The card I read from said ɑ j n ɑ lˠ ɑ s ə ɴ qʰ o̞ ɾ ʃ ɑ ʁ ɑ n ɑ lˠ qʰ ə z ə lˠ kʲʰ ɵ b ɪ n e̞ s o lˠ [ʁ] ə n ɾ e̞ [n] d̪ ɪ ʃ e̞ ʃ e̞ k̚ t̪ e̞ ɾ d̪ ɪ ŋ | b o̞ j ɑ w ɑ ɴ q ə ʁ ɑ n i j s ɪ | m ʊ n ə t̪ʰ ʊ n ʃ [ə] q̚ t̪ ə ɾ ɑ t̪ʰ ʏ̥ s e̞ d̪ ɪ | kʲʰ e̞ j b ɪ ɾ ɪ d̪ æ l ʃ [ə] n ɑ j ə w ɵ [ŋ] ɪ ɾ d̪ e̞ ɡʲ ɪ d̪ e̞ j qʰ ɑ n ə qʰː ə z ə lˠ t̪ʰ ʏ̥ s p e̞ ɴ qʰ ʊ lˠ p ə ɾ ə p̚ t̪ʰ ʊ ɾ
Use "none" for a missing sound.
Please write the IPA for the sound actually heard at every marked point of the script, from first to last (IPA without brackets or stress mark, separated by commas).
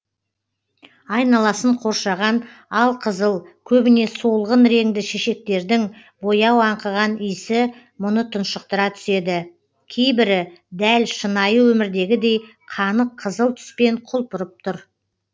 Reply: ʁ, ŋ, ə, ə, m